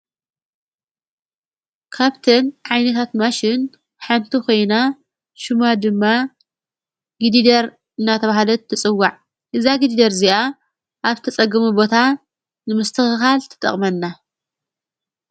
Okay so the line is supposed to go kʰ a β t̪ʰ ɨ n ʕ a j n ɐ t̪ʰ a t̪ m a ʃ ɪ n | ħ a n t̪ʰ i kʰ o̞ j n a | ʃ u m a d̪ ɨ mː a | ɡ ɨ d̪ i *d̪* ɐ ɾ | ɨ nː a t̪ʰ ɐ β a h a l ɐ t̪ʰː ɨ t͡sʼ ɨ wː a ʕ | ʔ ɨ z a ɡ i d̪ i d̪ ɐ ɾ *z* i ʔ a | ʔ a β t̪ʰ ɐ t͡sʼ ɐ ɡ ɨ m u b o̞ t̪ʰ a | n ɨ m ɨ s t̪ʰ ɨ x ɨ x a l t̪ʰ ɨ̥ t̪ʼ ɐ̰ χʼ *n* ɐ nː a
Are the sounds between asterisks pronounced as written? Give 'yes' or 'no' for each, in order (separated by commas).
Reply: yes, yes, no